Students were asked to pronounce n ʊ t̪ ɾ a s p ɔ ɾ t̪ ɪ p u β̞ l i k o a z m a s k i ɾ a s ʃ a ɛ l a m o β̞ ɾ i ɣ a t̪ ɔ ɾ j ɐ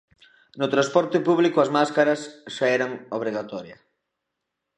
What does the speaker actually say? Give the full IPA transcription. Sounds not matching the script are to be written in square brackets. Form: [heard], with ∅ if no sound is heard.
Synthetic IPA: n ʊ t̪ ɾ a s p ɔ ɾ t̪ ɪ p u β̞ l i k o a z m a s k [a] ɾ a s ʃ a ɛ [ɾ] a [ŋ] o β̞ ɾ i ɣ a t̪ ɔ ɾ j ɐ

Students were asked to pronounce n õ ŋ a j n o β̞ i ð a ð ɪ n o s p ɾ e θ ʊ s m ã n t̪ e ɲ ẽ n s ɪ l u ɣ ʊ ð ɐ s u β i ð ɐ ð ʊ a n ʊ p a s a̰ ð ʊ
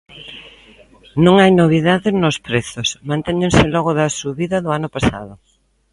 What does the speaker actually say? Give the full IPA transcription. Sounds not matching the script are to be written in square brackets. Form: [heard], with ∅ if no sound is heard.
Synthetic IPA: n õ ŋ a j n o β̞ i ð a ð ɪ n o s p ɾ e θ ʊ s m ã n t̪ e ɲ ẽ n s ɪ l [ɔ] ɣ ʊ ð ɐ s u β i ð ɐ ð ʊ a n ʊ p a s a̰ ð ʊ

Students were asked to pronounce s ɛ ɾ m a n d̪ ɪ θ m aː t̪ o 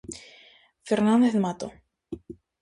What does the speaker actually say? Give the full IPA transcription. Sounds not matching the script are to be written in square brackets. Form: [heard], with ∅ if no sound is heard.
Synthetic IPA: [f] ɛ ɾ [n] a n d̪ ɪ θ m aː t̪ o

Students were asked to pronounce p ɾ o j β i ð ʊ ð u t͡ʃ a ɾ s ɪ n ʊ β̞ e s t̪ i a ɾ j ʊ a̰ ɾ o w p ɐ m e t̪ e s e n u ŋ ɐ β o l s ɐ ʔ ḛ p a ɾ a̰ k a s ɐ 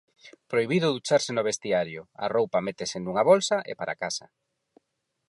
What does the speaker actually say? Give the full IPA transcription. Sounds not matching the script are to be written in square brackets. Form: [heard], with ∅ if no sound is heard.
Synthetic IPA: p ɾ o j β i ð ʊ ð u t͡ʃ a ɾ s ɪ n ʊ β̞ e s t̪ i a ɾ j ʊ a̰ [r] o w p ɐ m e t̪ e s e n u ŋ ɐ β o l s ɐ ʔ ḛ p a ɾ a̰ k a s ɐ

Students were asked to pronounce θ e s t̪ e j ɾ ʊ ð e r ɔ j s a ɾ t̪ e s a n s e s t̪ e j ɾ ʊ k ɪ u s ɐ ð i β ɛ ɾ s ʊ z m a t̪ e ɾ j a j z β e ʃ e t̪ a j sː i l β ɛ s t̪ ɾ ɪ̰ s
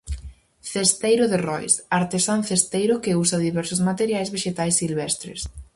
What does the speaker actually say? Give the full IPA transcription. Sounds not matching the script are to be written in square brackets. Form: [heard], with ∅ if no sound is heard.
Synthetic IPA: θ e s t̪ e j ɾ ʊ ð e r ɔ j s a ɾ t̪ e s a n [θ] e s t̪ e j ɾ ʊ k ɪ u s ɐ ð i β ɛ ɾ s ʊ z m a t̪ e ɾ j a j z β e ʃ e t̪ a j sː i l β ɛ s t̪ ɾ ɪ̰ s

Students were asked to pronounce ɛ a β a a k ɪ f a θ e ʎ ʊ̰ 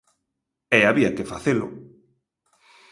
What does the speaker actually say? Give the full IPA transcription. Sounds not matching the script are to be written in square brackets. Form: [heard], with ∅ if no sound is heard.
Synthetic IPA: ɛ a β [i] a k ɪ f a θ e [l] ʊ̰

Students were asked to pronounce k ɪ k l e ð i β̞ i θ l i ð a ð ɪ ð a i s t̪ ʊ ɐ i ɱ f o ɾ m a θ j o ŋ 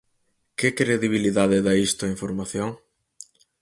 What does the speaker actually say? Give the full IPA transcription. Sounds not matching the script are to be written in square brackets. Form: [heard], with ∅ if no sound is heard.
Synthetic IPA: k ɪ k [ɾ] e ð i β̞ i [∅] l i ð a ð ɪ ð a i s t̪ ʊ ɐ i ɱ f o ɾ m a θ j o ŋ

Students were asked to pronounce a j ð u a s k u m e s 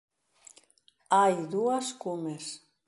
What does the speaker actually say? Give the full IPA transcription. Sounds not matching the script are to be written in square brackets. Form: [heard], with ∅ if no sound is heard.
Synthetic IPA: a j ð u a s k u m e s

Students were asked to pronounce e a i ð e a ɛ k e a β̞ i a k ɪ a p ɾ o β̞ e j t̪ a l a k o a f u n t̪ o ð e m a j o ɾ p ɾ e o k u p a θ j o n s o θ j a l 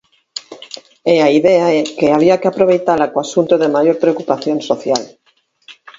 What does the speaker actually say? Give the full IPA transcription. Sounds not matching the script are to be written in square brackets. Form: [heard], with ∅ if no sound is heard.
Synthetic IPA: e a i ð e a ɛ k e a β̞ i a k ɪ a p ɾ o β̞ e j t̪ a l a k o a [s] u n t̪ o ð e m a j o ɾ p ɾ e o k u p a θ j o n s o θ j a l

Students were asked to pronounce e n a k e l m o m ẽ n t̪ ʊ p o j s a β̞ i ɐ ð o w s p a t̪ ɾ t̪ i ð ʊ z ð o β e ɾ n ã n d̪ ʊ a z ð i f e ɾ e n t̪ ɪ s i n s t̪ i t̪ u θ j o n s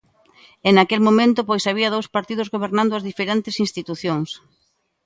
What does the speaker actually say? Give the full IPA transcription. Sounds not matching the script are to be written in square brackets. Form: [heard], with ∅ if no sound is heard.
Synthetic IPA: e n a k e l m o m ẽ n t̪ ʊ p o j s a β̞ i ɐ ð o w s p a [∅] ɾ t̪ i ð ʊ z [ɣ] o β e ɾ n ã n d̪ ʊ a z ð i f e ɾ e n t̪ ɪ s i n s t̪ i t̪ u θ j o [ŋ] s

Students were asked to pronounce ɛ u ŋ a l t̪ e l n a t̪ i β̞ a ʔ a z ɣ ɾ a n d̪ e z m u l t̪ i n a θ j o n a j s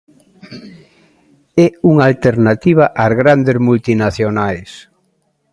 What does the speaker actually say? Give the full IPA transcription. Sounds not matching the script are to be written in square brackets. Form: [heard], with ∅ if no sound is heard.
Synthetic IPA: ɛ u ŋ a l t̪ e [ɾ] n a t̪ i β̞ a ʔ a z ɣ ɾ a n d̪ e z m u l t̪ i n a θ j o n a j s

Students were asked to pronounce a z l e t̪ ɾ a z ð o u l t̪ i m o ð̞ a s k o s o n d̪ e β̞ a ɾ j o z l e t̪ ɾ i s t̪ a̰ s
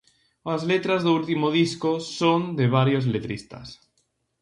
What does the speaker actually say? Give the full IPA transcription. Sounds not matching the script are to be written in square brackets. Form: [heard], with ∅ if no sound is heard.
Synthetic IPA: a z l e t̪ ɾ a z ð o u l t̪ i m o ð̞ [i] s k o s o n d̪ e β̞ a ɾ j o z l e t̪ ɾ i s t̪ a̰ s

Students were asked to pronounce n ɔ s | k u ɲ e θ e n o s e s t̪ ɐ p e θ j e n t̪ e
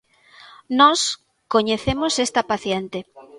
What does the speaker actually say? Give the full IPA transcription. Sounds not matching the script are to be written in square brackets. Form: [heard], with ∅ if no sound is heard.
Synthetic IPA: n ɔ s | k [o] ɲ e θ e [m] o s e s t̪ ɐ p [a] θ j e n t̪ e

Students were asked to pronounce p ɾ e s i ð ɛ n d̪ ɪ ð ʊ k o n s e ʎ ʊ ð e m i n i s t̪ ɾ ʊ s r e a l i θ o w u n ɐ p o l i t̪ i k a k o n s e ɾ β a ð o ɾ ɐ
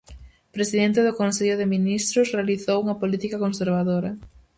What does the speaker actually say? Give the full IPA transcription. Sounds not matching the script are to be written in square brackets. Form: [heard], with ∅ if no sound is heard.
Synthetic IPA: p ɾ e s i ð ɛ n [t̪] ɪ ð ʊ k o n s e ʎ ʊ ð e m i n i s t̪ ɾ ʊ s r e a l i θ o w u [ŋ] ɐ p o l i t̪ i k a k o n s e ɾ β a ð o ɾ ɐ

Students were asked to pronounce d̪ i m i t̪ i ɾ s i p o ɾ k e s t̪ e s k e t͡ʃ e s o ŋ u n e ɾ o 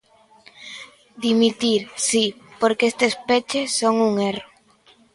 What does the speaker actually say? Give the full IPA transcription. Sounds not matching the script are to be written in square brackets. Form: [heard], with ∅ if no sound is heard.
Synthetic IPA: d̪ i m i t̪ i ɾ s i p o ɾ k e s t̪ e s [p] e t͡ʃ e s o ŋ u [ŋ] e [r] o

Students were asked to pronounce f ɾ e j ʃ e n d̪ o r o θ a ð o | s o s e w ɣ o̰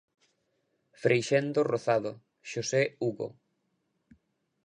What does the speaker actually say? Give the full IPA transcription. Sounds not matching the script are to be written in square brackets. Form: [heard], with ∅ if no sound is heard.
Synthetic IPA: f ɾ e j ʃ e n d̪ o r o θ a ð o | [ʃ] o s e [u] ɣ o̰

